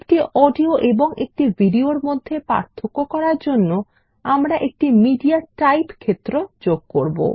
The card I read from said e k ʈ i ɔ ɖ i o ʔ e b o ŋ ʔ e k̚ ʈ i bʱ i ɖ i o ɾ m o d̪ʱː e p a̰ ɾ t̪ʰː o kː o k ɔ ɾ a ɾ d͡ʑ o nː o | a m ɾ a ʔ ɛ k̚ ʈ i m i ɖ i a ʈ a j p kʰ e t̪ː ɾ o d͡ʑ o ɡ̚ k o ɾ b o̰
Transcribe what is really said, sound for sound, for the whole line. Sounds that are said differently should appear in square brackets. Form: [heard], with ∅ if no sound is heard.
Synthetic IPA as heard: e k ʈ i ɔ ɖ i o ʔ e b o ŋ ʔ e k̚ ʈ i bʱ i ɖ i o ɾ m o d̪ʱː e p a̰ ɾ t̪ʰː o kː o k ɔ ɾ a ɾ d͡ʑ o nː o | a m ɾ a ʔ [e] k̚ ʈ i m i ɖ i a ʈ a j p kʰ e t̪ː ɾ o d͡ʑ o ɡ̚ k o ɾ b o̰

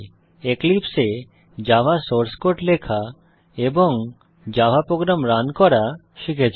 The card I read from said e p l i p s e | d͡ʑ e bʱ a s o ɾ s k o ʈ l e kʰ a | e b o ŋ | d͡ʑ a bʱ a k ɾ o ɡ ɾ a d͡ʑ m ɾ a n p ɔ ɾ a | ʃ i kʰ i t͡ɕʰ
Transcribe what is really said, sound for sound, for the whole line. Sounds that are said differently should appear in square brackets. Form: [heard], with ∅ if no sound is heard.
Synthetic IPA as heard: e [k] l i p s e | d͡ʑ [a] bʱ a s o ɾ s k o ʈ l e kʰ a | e b o ŋ | d͡ʑ a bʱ a [p] ɾ o ɡ ɾ a [∅] m ɾ a n [k] ɔ ɾ a | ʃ i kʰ [e] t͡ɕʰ

